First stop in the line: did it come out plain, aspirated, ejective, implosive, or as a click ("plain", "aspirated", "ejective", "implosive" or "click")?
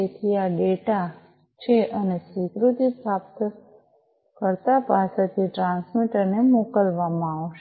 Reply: aspirated